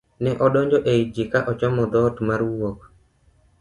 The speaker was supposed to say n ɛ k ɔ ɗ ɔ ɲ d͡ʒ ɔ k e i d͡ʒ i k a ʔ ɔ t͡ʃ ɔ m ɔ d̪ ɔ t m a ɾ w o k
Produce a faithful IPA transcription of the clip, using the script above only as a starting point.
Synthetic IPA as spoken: n ɛ ʔ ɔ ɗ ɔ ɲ d͡ʒ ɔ ʔ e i d͡ʒ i k a ʔ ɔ t͡ʃ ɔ m ɔ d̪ ɔ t m a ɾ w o k